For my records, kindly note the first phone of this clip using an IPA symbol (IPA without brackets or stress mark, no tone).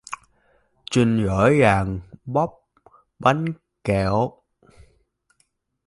t͡ɕ